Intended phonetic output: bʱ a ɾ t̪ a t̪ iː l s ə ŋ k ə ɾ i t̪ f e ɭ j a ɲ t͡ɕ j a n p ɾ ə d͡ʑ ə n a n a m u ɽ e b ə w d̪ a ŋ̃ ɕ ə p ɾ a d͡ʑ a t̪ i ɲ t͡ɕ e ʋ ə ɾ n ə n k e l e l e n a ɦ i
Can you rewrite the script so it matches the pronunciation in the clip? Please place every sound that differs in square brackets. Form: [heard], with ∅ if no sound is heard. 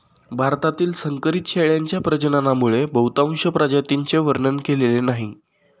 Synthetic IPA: bʱ a ɾ t̪ a t̪ iː l s ə ŋ k ə ɾ i t̪ [ɕ] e ɭ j a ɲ t͡ɕ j a [∅] p ɾ ə d͡ʑ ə n a n a m u [ɭ] e b ə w [t̪] a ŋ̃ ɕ ə p ɾ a d͡ʑ a t̪ i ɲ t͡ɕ e ʋ ə ɾ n ə n k e l e l e n a ɦ i

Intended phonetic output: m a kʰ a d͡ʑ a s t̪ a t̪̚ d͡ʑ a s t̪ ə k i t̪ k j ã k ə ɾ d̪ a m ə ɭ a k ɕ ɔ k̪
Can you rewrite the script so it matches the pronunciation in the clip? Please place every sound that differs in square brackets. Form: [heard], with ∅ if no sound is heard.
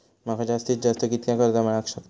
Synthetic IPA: m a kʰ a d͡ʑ a s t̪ [i] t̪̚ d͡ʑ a s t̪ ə k i t̪ k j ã k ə ɾ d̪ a m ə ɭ a k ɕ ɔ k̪

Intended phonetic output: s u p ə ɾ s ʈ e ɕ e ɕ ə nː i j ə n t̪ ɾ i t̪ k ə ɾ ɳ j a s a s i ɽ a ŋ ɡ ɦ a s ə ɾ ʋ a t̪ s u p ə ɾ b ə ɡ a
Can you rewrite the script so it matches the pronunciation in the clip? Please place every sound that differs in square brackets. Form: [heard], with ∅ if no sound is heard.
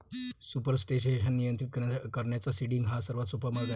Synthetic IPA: s u p ə ɾ s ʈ e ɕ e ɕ ə nː i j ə n t̪ ɾ i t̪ k ə ɾ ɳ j a [t͡s] a s i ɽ [i] ŋ ɡ ɦ a s ə ɾ ʋ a t̪ s u p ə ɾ [m] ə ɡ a

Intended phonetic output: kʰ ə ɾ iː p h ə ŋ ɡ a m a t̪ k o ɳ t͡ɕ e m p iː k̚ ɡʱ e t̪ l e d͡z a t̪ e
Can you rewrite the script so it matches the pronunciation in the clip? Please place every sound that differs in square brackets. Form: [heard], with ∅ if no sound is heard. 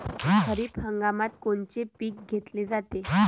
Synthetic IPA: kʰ ə ɾ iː p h ə ŋ ɡ a m a t̪ k o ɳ t͡ɕ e [∅] p iː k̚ ɡʱ e t̪ l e d͡z a t̪ e

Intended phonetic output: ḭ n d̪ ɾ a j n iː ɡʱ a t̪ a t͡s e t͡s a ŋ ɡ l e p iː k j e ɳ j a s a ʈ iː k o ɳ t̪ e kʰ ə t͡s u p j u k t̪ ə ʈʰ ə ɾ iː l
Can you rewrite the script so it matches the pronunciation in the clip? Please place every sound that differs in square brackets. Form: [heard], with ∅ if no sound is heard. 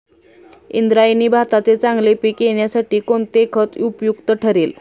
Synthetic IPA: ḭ n d̪ ɾ a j n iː [bʱ] a t̪ a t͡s e t͡s a ŋ ɡ l e p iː k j e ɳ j a s a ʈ iː k o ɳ t̪ e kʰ ə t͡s u p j u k t̪ ə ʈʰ ə ɾ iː l

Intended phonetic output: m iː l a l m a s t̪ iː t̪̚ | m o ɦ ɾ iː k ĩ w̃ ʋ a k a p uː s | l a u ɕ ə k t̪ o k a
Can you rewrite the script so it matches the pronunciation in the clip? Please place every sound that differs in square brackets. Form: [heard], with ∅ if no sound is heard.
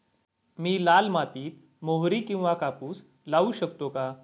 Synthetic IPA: m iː l a l m a [∅] t̪ iː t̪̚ | m o ɦ ɾ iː k ĩ w̃ ʋ a k a p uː s | l a u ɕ ə k t̪ o k a

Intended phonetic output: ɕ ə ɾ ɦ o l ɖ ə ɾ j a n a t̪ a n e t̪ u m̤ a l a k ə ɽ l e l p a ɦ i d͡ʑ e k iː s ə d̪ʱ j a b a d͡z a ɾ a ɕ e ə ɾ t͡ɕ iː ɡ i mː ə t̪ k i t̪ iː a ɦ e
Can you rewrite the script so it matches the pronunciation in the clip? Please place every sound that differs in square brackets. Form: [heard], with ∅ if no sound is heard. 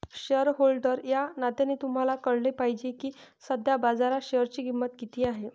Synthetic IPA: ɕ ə ɾ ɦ o l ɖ ə ɾ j a n a t̪ a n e t̪ u m̤ a l a k ə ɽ l e [∅] p a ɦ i d͡ʑ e k iː s ə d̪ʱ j a b a d͡z a ɾ a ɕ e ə ɾ t͡ɕ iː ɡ i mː ə t̪ k i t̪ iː a ɦ e

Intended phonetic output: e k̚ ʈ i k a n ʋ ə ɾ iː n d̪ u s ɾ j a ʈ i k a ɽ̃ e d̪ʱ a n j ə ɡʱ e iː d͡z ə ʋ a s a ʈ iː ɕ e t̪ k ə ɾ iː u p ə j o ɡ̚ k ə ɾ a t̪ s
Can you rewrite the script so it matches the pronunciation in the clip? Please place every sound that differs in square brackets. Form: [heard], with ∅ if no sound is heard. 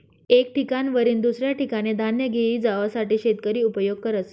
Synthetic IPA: e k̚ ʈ i k a n ʋ ə ɾ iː n d̪ u s ɾ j a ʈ i k a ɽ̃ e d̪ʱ a n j ə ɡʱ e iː d͡z [a] ʋ a s a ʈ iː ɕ e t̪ k ə ɾ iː u p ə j o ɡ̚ k ə ɾ [ə] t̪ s

